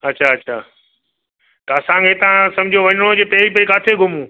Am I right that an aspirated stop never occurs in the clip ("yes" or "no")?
no